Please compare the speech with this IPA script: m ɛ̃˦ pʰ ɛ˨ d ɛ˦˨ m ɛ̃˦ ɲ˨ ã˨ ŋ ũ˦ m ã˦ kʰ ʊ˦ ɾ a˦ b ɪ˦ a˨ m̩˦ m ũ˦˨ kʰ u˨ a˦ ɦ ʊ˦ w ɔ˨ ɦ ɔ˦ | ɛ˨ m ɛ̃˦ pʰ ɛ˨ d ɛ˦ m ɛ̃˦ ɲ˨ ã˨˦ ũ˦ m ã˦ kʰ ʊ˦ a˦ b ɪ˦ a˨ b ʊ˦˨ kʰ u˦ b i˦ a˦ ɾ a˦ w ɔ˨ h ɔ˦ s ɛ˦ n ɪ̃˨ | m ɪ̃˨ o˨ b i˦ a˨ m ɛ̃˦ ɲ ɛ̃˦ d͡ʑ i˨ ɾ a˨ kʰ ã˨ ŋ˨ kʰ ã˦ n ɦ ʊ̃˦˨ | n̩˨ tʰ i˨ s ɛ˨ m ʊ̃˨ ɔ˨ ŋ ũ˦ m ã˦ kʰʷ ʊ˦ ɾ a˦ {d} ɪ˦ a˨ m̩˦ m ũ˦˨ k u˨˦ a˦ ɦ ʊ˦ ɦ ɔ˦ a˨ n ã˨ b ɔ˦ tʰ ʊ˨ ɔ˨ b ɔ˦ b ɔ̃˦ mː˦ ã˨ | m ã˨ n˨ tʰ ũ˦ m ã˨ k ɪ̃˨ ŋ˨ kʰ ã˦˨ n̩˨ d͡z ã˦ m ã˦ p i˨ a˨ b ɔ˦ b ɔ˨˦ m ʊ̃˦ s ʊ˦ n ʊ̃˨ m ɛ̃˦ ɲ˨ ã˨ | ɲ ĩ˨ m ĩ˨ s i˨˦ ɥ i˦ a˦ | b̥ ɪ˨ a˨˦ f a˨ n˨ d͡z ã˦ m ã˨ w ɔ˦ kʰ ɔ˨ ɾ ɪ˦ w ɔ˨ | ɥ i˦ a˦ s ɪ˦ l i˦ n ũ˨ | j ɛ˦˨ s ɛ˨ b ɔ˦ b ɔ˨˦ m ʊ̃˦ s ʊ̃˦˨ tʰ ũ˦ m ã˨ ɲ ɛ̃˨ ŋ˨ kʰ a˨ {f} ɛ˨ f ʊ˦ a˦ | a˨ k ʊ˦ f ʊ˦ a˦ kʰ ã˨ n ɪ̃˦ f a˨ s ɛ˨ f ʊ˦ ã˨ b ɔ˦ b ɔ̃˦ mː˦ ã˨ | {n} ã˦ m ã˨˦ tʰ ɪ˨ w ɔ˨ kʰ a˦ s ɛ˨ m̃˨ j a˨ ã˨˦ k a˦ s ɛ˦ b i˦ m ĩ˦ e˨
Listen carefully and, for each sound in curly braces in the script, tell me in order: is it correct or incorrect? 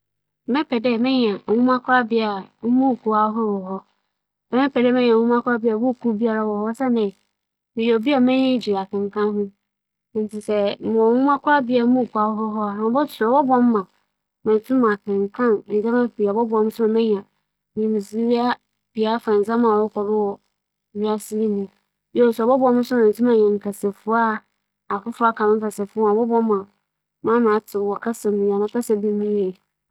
incorrect: b, incorrect: s, incorrect: m

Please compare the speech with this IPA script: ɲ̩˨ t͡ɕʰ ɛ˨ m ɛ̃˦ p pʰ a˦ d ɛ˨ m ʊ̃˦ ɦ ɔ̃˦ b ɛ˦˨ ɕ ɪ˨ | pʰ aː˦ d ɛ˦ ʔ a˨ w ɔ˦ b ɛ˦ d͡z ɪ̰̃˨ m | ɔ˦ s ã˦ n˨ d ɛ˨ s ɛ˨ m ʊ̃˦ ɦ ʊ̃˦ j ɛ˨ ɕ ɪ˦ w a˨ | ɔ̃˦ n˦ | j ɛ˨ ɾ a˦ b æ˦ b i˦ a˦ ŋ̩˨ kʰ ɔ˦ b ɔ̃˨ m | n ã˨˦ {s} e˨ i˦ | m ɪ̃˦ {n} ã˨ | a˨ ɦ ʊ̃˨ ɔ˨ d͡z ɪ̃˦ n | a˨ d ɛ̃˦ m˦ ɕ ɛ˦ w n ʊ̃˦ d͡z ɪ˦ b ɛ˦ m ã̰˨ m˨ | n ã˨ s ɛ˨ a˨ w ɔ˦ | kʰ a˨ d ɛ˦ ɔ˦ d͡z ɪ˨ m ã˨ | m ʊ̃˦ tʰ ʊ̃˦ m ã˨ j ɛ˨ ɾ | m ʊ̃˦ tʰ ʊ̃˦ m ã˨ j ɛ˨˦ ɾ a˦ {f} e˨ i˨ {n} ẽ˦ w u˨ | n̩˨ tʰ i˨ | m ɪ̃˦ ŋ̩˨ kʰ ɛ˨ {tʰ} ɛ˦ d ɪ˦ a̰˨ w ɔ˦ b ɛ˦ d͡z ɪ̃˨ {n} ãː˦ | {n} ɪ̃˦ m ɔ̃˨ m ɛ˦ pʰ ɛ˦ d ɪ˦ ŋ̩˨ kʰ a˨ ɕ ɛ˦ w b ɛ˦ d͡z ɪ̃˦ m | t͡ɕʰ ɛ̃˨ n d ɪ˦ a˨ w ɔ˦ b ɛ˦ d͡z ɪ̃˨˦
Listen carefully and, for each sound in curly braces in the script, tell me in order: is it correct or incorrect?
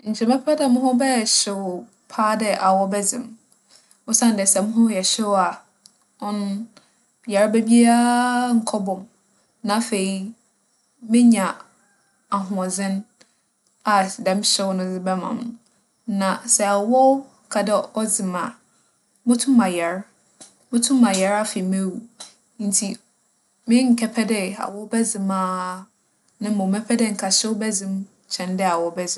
incorrect: f, incorrect: ɲ, correct, incorrect: m, incorrect: pʰ, incorrect: m, correct

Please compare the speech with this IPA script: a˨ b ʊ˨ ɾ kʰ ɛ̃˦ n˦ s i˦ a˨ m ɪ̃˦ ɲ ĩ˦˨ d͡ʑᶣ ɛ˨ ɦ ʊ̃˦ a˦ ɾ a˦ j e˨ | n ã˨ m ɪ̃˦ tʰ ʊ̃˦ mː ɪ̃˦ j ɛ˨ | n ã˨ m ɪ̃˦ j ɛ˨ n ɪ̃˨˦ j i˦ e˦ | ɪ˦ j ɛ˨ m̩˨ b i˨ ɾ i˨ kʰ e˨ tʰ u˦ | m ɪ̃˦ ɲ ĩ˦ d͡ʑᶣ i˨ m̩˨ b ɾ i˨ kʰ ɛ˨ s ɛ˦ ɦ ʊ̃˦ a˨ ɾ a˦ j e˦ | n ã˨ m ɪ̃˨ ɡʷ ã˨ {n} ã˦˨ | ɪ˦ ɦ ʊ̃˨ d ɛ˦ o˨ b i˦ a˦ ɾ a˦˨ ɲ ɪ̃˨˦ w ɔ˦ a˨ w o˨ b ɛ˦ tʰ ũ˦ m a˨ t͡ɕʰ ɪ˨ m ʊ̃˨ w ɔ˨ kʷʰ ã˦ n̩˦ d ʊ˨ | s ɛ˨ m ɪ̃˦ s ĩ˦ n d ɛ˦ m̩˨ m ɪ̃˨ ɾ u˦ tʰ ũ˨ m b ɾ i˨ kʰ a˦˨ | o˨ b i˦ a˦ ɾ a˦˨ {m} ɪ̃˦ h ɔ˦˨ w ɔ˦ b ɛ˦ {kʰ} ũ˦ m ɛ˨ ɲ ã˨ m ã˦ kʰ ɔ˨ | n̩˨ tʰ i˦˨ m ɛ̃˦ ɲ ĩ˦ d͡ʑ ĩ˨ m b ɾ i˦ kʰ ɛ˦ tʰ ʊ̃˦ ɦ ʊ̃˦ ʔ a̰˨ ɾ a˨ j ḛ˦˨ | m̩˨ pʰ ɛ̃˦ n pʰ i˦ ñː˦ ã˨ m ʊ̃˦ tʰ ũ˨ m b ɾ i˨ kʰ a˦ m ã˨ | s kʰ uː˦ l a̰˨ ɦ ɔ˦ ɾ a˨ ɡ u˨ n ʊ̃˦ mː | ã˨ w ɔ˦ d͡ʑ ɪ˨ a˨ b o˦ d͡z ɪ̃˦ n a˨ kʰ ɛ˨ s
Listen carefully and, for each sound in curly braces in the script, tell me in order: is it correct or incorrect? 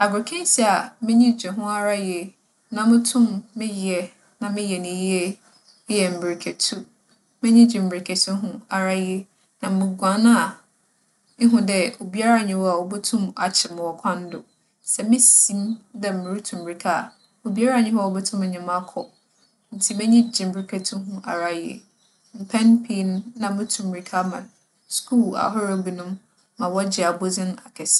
correct, incorrect: ɲ, incorrect: tʰ

